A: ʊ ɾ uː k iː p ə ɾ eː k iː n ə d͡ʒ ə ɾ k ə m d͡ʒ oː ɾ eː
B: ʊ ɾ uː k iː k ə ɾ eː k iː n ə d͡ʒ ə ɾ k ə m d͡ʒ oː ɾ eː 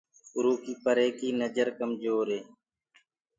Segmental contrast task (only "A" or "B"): A